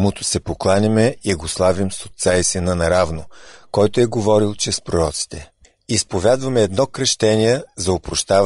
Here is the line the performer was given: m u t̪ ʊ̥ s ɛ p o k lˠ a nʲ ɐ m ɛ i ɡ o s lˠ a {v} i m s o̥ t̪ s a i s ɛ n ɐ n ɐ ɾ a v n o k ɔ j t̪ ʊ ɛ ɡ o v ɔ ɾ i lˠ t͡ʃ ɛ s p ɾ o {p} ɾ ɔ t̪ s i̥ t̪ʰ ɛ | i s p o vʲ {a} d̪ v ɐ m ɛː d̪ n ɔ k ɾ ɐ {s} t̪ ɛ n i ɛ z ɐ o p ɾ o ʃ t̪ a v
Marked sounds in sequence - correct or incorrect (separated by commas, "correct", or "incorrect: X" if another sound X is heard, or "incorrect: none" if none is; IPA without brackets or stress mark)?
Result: correct, incorrect: none, correct, incorrect: ʃ